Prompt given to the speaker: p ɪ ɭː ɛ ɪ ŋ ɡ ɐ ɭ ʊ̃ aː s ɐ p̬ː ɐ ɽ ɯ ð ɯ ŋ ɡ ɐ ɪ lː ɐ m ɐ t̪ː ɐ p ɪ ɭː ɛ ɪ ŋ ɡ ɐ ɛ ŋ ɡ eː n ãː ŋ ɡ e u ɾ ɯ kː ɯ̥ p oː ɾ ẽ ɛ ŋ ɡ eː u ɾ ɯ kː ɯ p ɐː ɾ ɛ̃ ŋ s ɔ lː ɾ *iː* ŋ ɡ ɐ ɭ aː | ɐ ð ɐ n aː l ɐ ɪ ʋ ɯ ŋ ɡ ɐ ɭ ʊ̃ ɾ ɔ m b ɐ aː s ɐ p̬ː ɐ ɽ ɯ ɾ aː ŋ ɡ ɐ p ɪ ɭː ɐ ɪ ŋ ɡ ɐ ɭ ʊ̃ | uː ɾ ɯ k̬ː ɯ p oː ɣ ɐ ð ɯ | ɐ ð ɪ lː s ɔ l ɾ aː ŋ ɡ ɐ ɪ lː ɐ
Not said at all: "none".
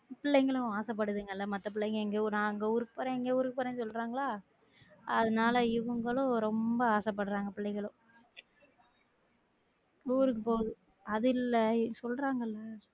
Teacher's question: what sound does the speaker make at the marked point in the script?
aː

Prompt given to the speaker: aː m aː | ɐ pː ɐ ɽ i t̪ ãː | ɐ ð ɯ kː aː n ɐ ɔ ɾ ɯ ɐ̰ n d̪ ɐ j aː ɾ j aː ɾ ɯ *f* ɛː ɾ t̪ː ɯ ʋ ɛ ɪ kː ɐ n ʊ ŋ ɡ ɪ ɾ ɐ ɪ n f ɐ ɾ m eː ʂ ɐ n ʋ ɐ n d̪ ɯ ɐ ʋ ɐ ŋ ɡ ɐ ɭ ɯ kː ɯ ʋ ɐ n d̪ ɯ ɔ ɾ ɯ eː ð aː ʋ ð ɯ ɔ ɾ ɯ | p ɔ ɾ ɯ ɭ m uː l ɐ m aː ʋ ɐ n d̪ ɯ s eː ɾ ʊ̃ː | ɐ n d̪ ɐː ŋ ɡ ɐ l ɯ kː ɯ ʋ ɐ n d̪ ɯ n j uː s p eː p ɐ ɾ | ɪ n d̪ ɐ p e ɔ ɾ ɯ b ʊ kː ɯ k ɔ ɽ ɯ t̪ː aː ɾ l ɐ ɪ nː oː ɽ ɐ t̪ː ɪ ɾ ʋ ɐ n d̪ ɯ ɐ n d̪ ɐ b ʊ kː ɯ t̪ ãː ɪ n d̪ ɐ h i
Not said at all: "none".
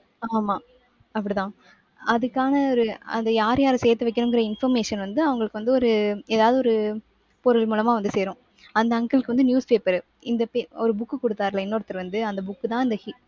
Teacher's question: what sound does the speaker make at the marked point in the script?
s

